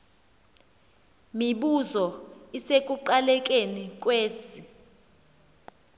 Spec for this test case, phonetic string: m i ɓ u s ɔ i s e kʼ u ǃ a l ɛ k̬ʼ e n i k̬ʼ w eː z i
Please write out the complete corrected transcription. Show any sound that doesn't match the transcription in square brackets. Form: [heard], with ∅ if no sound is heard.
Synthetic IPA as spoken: m i ɓ u [z] ɔ i s e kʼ u ǃ a l ɛ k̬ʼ e n i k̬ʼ w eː [s] i